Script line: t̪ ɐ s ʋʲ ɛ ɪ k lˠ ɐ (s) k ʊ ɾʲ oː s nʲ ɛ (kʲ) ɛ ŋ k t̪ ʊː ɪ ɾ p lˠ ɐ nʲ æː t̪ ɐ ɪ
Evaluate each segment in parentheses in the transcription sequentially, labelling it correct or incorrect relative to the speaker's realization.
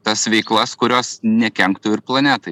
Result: correct, correct

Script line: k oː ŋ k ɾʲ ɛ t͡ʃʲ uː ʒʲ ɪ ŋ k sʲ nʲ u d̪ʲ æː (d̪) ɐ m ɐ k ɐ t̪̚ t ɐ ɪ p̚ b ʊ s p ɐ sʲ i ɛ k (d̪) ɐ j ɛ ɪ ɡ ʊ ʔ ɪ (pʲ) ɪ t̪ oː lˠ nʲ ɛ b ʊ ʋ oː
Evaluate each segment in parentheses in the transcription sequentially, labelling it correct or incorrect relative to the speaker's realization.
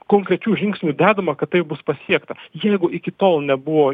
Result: correct, incorrect, incorrect

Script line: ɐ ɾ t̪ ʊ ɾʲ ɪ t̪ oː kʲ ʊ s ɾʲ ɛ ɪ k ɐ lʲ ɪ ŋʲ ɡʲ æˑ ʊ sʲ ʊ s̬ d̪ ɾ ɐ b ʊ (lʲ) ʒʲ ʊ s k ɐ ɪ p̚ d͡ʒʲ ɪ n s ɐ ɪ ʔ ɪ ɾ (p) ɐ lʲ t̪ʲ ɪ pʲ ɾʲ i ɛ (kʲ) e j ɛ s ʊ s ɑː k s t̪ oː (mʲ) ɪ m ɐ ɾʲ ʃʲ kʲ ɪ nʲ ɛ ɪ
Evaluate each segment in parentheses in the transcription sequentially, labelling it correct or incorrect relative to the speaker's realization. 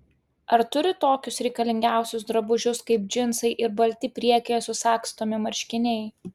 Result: incorrect, incorrect, correct, correct

